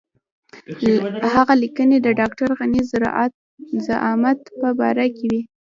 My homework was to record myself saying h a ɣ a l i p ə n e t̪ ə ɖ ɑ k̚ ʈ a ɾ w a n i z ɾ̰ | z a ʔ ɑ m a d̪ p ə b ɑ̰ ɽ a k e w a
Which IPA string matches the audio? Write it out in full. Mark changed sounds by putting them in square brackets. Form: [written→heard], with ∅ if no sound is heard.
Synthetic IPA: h a ɣ a l i [p→k] ə n e [t̪→d̪] ə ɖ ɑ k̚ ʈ a ɾ [w→ɣ] a n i z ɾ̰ | z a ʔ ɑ m a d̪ p ə b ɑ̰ [ɽ→ɾ] a k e w [a→i]